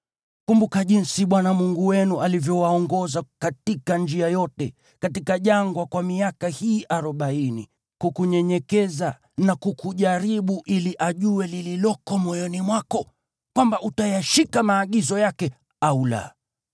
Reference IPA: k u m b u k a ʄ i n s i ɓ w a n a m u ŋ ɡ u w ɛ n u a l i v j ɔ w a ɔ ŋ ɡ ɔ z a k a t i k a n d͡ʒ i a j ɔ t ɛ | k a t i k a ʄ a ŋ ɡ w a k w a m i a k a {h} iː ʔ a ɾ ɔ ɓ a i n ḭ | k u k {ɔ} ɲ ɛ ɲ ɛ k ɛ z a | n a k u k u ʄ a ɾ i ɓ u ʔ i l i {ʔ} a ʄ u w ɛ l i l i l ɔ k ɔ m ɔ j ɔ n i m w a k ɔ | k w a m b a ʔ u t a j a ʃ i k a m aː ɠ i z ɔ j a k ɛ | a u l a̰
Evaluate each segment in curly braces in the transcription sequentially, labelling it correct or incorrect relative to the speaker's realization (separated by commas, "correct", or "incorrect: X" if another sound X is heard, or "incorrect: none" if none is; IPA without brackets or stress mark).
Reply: correct, incorrect: u, correct